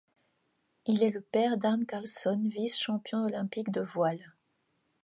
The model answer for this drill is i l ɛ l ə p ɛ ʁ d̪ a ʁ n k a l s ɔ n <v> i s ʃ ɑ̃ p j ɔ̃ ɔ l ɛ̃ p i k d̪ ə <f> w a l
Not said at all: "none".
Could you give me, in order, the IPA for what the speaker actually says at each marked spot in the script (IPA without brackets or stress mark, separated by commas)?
v, v